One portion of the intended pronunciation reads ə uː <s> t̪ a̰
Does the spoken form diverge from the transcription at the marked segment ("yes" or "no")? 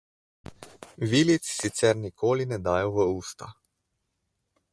no